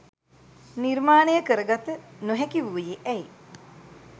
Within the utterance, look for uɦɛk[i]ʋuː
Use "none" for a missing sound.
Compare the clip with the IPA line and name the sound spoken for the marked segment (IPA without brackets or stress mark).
i